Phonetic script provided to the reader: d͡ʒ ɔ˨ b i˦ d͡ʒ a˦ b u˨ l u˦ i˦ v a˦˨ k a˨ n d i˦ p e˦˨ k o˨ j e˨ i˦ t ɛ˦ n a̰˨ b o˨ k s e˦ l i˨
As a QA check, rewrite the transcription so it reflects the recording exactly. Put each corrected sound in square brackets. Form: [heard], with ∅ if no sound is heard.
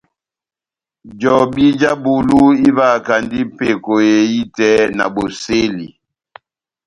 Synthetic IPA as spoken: d͡ʒ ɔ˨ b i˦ d͡ʒ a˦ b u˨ l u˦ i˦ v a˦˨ k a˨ n d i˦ p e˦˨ k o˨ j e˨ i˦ t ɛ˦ n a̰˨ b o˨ [∅] s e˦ l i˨